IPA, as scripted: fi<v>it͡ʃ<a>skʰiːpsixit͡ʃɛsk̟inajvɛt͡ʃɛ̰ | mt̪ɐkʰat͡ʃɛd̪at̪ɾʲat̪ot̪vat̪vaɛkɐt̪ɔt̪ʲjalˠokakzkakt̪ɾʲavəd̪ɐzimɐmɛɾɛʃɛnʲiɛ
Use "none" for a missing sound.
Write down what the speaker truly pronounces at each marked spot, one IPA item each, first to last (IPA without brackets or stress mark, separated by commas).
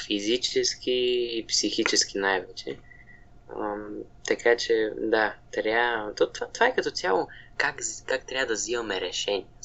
z, ɛ